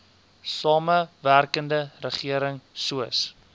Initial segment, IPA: s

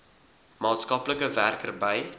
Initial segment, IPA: m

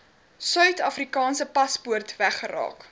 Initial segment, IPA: s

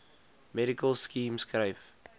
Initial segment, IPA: m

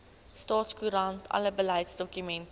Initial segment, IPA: s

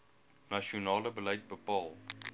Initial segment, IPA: n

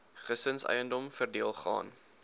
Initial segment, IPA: χ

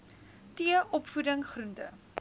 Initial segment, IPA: t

